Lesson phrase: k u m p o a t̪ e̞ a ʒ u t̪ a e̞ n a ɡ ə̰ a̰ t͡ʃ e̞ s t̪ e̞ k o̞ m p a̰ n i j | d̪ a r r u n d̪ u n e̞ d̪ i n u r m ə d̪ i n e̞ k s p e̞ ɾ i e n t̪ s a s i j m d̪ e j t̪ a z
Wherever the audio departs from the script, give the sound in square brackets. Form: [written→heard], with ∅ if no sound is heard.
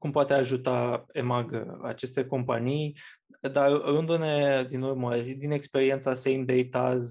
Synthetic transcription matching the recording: k u m p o a t̪ e̞ a ʒ u t̪ a e̞ [n→m] a ɡ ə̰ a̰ t͡ʃ e̞ s t̪ e̞ k o̞ m p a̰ n i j | d̪ a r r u n d̪ u n e̞ d̪ i n u r m ə d̪ i n e̞ k s p e̞ ɾ i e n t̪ s a s [i→e] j m d̪ e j t̪ a z